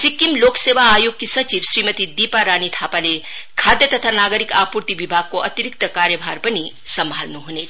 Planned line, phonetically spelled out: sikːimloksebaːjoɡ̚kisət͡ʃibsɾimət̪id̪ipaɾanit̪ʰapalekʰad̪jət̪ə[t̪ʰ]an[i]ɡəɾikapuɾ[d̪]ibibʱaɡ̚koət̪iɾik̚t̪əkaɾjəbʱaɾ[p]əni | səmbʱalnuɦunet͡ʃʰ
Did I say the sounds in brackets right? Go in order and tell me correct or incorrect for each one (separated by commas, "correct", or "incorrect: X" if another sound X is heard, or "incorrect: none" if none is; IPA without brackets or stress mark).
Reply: correct, incorrect: a, incorrect: t̪, correct